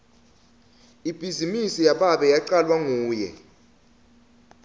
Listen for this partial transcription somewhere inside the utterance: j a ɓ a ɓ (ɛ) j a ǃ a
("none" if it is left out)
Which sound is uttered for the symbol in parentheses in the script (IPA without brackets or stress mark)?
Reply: ɛ